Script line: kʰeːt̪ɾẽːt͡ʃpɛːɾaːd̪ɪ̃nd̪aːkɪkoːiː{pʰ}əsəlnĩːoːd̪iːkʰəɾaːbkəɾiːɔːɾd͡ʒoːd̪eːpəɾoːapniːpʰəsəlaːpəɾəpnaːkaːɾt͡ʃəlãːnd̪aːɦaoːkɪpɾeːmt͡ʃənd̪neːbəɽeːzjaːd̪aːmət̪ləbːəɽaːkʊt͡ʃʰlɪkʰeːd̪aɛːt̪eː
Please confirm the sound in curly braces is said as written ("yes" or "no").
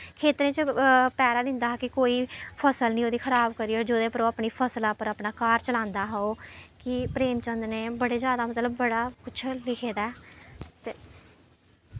yes